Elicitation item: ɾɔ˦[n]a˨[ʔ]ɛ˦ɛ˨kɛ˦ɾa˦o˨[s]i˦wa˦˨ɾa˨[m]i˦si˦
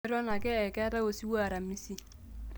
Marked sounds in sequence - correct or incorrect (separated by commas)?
correct, incorrect, correct, correct